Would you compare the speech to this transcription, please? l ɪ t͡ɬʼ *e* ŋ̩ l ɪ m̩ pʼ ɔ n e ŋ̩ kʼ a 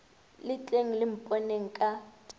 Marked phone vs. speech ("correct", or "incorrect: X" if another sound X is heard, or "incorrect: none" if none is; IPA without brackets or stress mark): correct